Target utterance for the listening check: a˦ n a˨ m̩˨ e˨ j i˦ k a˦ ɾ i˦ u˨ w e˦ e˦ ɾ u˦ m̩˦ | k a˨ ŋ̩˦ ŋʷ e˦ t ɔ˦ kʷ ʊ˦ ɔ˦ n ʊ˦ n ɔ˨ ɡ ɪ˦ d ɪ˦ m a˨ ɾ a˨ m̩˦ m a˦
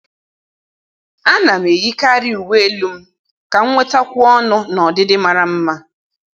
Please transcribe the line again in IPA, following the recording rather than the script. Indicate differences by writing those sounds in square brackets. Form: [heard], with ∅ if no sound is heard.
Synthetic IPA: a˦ n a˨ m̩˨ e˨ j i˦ k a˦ ɾ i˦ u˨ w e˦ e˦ [l] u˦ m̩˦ | k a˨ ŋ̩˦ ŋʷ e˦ t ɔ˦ kʷ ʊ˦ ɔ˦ n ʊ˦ n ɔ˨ [d] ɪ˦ d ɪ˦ m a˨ ɾ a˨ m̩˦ m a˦